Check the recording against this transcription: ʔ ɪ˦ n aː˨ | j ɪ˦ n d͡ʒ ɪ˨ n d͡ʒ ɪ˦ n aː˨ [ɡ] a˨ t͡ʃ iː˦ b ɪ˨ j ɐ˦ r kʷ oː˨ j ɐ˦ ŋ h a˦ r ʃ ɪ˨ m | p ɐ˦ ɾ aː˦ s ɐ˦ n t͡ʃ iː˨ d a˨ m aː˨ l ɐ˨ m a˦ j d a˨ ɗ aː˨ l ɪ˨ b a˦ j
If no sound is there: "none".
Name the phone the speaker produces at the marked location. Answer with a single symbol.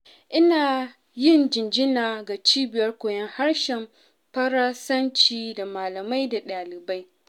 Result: ɡ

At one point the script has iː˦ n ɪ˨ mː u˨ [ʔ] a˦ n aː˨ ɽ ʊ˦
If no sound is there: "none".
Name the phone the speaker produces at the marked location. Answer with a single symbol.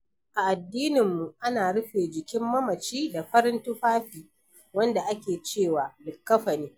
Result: ʔ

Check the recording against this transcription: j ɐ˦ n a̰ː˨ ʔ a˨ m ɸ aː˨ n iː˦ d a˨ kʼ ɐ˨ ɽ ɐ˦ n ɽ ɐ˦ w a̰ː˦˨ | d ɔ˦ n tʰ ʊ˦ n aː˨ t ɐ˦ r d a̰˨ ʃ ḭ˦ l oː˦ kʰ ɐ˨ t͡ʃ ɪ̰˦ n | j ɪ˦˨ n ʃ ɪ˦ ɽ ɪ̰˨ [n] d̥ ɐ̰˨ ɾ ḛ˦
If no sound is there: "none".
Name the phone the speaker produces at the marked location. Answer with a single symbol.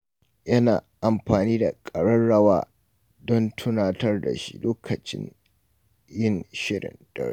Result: n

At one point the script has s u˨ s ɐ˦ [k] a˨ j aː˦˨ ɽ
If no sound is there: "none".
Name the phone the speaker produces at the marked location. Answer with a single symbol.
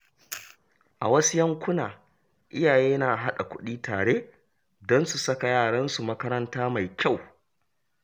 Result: k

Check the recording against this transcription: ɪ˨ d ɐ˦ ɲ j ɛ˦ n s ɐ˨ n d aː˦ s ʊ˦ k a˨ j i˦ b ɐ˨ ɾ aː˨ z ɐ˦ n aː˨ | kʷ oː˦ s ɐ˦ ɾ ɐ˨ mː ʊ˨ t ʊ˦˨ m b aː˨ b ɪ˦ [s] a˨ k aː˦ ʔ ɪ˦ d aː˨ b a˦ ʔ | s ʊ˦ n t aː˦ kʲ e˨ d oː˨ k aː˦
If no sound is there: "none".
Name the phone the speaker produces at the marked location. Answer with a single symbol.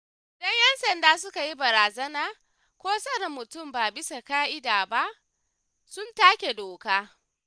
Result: s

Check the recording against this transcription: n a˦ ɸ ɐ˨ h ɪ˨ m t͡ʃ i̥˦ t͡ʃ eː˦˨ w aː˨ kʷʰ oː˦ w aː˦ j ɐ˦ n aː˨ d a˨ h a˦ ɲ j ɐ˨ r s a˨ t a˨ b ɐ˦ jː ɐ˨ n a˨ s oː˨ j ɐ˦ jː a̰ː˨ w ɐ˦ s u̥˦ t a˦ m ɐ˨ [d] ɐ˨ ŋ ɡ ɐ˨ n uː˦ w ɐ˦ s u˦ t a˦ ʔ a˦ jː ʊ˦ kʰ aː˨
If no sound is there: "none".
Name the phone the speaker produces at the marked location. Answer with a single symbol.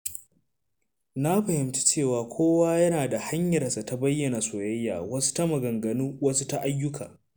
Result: ɡ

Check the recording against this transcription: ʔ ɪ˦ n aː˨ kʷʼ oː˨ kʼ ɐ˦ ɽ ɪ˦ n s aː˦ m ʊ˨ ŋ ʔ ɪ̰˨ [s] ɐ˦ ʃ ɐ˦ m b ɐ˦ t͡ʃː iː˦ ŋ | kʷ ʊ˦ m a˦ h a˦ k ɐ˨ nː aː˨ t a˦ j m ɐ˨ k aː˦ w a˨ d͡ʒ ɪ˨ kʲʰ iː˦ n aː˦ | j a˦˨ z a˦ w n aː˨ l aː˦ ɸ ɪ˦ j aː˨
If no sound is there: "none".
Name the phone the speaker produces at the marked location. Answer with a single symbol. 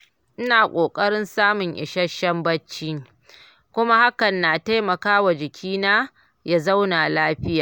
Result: ʃ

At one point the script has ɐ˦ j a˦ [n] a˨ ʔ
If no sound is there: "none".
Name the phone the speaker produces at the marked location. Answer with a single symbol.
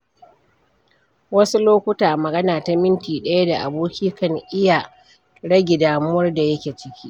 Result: d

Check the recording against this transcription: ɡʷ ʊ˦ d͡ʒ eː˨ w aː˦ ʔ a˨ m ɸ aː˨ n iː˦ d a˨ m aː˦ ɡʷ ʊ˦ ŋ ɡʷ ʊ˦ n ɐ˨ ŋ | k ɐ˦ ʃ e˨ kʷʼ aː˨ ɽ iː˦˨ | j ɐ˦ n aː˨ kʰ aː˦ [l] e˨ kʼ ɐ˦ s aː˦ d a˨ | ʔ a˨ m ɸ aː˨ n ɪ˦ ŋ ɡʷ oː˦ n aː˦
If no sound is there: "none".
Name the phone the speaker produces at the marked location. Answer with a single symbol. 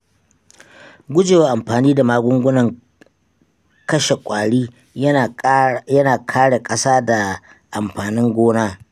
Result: ɽ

